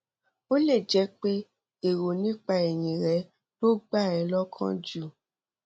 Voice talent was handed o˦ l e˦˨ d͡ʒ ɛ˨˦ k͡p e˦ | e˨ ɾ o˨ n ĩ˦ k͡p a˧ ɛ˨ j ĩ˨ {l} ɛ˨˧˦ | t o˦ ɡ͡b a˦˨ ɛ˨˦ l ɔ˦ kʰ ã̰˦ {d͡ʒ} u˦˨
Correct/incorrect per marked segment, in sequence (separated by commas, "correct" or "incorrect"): incorrect, correct